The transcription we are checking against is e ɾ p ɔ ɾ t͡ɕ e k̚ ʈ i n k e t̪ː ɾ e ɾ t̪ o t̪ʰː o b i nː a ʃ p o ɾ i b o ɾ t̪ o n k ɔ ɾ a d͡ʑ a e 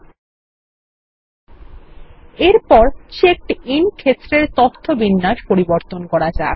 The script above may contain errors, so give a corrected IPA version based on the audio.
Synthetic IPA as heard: e ɾ p ɔ ɾ t͡ɕ e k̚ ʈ i n kʰ e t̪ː ɾ e ɾ t̪ o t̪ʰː o b i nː a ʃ p o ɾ i b o ɾ t̪ o n k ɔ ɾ a d͡ʑ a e